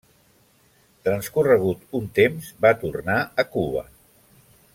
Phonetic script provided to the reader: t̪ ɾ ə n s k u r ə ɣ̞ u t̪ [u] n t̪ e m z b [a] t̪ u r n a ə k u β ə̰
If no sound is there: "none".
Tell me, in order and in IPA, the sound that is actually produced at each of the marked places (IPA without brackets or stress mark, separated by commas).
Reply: u, a